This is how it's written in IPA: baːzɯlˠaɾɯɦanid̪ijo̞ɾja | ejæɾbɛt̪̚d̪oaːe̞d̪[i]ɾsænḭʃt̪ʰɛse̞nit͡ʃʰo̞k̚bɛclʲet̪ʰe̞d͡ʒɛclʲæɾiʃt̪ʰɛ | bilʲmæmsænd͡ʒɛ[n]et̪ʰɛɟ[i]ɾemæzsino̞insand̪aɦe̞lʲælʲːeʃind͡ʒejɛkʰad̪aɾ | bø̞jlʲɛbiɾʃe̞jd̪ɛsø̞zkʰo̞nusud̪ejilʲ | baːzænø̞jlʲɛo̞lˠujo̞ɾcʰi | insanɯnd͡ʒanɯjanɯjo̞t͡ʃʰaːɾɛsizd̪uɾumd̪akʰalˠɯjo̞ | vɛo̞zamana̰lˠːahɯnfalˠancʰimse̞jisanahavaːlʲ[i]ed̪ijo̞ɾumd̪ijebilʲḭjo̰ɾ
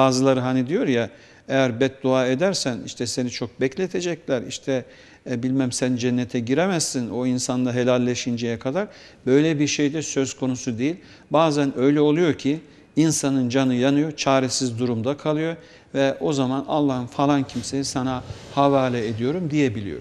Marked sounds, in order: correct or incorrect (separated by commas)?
incorrect, incorrect, correct, incorrect